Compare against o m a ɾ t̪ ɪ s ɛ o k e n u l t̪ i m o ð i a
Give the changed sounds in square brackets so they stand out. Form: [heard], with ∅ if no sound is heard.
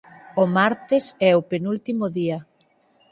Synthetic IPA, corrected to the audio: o m a ɾ t̪ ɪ s ɛ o [p] e n u l t̪ i m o ð i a